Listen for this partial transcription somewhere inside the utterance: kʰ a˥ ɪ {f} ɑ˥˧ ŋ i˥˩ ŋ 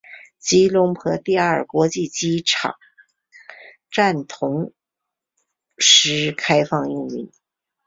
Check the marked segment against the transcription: correct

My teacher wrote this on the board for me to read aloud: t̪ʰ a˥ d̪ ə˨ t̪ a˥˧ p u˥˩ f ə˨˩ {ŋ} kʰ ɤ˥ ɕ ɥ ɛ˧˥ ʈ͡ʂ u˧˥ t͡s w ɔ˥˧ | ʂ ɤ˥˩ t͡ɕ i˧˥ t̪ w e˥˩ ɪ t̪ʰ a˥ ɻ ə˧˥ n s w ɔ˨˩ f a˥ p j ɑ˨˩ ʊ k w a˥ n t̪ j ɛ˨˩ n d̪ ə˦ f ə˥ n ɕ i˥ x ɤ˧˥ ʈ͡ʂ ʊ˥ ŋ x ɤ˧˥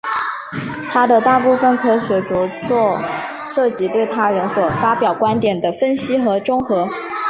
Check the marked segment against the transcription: incorrect: n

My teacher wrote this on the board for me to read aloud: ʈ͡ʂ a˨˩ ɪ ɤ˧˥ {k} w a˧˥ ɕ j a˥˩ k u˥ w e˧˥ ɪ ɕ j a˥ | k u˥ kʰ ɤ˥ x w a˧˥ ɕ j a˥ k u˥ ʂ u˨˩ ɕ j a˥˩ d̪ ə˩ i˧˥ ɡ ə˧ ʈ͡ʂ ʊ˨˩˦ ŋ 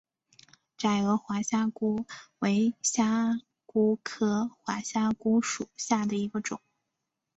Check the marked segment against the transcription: incorrect: x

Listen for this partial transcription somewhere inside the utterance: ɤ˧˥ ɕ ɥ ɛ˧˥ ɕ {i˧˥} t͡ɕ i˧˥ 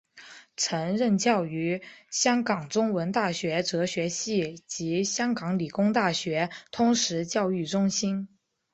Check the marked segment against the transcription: incorrect: i˥˩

